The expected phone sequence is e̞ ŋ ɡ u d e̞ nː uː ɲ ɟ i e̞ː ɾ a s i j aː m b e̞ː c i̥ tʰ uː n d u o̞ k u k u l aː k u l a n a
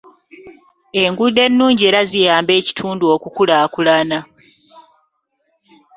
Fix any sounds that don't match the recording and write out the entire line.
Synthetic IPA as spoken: e̞ ŋ ɡ u d e̞ nː uː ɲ ɟ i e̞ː ɾ a z i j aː m b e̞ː c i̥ tʰ uː n d u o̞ k u k u l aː k u l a n a